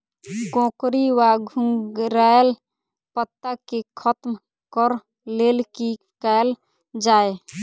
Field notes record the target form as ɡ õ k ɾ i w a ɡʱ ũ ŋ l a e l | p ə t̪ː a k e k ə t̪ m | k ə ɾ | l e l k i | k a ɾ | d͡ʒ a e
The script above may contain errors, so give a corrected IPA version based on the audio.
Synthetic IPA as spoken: ɡ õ k ɾ i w a ɡʱ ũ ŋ ɾ a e l | p ə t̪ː a k e kʰ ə t̪ m | k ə ɾ | l e l k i | k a l | d͡ʒ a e